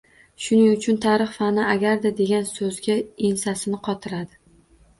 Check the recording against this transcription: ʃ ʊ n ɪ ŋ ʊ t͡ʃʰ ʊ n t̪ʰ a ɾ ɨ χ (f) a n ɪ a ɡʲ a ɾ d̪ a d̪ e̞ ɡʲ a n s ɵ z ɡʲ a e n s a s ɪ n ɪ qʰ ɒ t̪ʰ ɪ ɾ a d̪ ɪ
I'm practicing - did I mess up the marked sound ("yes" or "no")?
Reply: no